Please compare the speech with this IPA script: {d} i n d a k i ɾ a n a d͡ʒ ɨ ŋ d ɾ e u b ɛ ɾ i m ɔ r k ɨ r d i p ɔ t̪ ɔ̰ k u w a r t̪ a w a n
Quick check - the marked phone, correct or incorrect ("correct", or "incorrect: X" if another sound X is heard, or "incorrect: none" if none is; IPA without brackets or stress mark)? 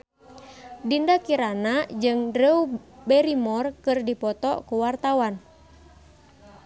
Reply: correct